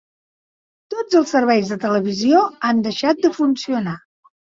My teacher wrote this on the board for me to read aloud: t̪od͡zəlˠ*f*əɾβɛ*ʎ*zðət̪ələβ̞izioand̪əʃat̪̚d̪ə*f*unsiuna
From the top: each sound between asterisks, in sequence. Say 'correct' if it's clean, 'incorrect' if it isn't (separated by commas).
incorrect, incorrect, correct